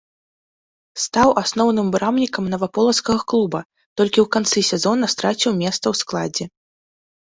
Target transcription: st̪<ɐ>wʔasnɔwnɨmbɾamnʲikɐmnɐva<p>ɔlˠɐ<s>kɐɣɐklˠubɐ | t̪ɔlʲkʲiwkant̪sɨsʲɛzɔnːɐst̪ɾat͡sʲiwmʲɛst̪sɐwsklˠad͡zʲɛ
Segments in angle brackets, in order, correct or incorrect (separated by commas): incorrect, correct, correct